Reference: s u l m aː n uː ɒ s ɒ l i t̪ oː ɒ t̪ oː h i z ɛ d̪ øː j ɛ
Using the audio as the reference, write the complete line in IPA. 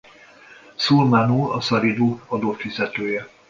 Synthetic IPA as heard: s u l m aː n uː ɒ s ɒ ɾ i d̪ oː ɒ d̪ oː f i z ɛ t̪ øː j ɛ